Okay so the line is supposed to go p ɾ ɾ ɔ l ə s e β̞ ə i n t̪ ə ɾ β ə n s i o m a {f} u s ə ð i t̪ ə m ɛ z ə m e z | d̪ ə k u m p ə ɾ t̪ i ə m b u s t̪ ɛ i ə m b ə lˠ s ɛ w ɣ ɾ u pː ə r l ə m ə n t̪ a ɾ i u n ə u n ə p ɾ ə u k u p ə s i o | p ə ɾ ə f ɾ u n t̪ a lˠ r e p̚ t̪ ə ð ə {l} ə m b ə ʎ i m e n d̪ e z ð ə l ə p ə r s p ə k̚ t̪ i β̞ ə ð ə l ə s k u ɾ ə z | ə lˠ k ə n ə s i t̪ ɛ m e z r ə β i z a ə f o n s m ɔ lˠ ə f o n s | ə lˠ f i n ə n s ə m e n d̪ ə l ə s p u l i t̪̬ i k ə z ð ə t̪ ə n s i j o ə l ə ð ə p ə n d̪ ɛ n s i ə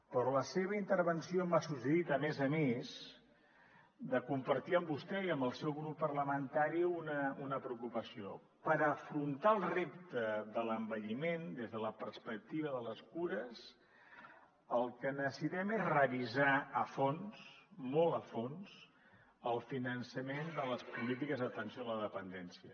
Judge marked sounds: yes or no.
no, yes

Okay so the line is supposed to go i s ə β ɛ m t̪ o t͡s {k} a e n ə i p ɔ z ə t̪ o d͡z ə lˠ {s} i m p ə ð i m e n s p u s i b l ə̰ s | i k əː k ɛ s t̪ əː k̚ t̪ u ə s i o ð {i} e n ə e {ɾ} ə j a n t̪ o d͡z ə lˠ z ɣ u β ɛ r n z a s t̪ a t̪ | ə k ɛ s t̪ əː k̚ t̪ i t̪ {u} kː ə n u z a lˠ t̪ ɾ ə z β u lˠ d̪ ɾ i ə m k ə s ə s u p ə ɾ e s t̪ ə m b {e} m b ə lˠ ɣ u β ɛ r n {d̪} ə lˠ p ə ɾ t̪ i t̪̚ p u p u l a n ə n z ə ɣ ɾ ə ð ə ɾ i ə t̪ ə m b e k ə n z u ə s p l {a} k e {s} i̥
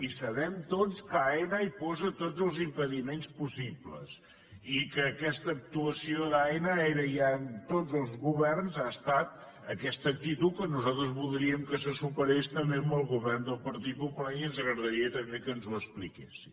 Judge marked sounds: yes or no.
yes, no, no, yes, yes, yes, yes, no, yes

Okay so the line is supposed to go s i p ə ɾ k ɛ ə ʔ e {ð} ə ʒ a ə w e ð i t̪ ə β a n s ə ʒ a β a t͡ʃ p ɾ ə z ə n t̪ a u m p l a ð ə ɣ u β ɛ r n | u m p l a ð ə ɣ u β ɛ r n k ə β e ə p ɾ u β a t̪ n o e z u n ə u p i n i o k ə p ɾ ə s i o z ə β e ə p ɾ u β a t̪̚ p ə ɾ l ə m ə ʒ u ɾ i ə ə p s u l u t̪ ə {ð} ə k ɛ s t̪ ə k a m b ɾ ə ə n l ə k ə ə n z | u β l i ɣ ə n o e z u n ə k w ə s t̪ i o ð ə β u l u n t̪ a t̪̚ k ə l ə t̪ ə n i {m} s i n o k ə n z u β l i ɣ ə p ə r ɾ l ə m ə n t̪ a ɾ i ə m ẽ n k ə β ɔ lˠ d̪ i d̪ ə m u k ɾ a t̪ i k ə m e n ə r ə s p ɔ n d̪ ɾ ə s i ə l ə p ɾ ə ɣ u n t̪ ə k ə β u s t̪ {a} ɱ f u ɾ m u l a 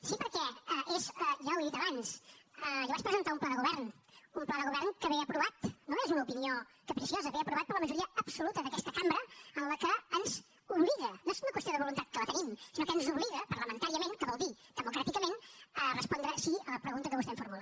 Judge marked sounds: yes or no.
no, yes, yes, no

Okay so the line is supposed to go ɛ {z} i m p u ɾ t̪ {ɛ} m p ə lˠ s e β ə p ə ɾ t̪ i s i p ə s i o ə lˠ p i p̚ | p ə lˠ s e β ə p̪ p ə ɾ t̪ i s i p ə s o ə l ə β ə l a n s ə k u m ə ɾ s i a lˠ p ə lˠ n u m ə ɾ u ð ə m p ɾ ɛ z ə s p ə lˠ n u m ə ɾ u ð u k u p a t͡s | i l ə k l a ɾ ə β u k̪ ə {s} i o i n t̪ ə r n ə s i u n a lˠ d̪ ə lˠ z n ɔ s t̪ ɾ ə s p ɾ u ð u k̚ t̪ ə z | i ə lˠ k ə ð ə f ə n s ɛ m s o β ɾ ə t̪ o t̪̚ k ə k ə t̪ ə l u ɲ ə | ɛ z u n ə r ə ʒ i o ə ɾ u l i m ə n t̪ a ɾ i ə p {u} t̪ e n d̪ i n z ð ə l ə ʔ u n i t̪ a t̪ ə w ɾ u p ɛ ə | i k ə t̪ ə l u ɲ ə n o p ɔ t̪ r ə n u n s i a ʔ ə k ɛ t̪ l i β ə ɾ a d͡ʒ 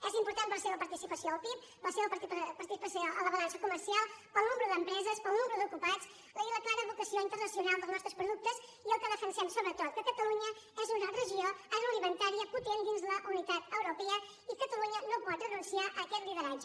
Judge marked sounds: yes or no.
yes, no, yes, yes

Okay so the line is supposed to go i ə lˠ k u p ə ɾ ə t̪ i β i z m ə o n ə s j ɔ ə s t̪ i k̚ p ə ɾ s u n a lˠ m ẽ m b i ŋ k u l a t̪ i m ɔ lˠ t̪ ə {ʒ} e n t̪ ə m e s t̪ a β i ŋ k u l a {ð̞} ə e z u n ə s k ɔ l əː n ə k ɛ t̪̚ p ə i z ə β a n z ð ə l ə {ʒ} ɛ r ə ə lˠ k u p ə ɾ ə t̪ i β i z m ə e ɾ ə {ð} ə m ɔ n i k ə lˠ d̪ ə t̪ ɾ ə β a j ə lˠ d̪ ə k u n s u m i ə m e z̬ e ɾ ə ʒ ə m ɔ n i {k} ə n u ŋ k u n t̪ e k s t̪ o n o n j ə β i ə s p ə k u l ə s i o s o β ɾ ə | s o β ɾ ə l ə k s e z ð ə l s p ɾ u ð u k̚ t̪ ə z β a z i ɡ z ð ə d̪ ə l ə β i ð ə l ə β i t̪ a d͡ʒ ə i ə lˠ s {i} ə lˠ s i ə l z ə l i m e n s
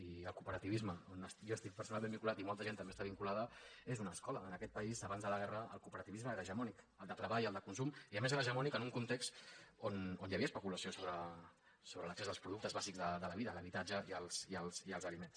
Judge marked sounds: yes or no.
yes, yes, no, no, yes, yes

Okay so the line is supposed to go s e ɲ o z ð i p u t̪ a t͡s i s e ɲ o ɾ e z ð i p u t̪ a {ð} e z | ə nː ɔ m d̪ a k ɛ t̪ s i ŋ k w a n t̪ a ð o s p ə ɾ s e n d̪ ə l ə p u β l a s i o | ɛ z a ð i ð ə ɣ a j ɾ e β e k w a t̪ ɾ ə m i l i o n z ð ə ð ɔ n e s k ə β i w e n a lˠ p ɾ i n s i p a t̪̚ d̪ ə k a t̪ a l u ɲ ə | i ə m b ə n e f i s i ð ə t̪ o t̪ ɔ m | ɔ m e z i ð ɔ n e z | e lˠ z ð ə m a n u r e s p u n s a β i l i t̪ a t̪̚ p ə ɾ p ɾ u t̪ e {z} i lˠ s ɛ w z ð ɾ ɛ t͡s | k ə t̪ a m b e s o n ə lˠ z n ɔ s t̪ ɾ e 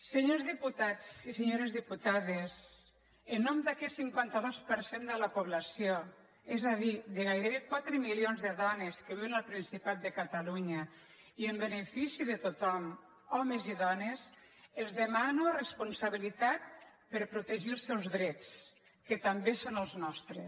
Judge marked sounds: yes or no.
yes, no

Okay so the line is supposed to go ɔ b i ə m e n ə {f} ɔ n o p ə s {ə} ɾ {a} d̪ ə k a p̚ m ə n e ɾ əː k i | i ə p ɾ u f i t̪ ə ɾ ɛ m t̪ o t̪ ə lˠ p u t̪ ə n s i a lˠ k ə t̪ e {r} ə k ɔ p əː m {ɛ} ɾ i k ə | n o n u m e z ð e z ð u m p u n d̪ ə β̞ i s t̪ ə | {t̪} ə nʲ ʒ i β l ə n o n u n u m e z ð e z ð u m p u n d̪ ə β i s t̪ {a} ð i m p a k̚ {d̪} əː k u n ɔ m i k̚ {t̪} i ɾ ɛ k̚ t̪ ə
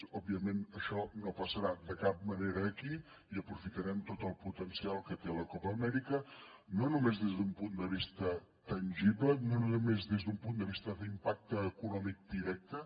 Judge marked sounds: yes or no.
no, yes, yes, no, yes, yes, no, no, no

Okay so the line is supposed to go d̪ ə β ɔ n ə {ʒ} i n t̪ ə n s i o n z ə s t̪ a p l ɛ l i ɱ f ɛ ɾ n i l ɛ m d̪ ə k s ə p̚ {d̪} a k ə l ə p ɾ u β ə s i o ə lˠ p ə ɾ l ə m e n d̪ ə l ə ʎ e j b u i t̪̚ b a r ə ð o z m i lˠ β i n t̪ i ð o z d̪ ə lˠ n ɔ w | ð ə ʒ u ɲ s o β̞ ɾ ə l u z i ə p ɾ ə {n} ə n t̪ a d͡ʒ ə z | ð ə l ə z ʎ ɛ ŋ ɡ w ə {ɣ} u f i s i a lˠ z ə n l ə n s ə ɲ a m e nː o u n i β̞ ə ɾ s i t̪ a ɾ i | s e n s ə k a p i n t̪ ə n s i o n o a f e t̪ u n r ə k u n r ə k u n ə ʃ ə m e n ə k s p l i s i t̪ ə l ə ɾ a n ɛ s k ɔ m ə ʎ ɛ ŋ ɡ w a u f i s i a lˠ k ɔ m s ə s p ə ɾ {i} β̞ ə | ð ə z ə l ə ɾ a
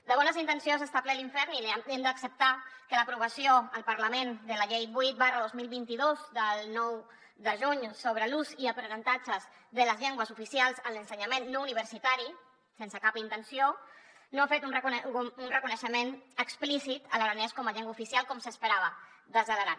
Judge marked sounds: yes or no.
no, no, yes, no, no

